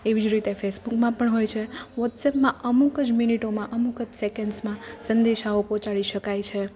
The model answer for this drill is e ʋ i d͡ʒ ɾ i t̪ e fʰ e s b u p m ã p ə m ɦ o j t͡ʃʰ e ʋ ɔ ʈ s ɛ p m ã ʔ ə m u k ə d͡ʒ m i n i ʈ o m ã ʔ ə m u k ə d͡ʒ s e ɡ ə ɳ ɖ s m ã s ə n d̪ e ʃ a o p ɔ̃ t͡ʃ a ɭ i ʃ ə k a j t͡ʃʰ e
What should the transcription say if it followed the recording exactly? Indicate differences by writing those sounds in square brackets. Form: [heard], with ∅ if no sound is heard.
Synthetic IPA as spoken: e ʋ i d͡ʒ ɾ i t̪ e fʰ e s b u [k] m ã p ə [ɳ] ɦ o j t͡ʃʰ e ʋ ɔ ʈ s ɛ p m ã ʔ ə m u k ə d͡ʒ m i n i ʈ o m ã ʔ ə m u k ə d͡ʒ s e [k] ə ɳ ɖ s m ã s ə n d̪ e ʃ a o p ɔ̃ t͡ʃ a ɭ i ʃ ə k a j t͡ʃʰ e